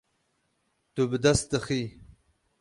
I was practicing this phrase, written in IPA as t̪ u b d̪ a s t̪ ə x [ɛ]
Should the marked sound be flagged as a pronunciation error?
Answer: yes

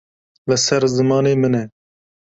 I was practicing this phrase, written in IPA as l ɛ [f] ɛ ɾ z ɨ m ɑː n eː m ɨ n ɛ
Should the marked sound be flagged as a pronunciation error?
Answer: yes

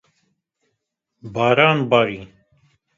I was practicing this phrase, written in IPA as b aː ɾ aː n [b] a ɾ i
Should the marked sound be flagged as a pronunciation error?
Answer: no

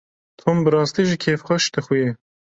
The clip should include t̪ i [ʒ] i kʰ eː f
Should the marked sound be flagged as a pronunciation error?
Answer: no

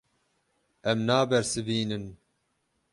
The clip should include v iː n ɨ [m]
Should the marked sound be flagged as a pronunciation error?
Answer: yes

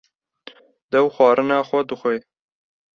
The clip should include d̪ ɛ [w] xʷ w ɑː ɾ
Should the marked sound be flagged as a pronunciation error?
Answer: no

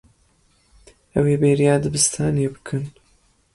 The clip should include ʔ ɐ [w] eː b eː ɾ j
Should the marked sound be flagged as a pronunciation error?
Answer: no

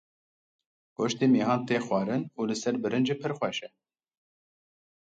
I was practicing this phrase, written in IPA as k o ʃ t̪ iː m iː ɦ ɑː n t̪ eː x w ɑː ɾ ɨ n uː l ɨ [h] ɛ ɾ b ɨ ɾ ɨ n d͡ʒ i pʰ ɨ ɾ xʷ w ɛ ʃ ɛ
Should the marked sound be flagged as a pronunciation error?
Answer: yes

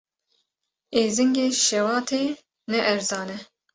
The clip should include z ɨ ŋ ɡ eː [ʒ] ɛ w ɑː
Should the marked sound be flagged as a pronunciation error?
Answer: yes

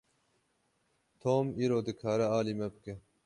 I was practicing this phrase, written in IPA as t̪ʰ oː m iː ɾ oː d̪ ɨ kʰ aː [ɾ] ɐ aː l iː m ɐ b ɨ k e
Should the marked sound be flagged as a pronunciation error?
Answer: no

